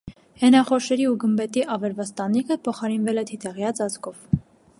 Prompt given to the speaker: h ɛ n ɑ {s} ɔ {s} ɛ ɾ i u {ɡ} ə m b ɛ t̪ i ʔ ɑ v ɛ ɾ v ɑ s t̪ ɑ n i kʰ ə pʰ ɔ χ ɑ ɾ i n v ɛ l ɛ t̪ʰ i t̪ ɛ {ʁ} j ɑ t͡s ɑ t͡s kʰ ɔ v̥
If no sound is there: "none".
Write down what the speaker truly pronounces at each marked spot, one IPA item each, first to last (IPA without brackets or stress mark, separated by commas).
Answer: χ, ʃ, ɡ, ʁ